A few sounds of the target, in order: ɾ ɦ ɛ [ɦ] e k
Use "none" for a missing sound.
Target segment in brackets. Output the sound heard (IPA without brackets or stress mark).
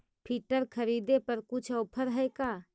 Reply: none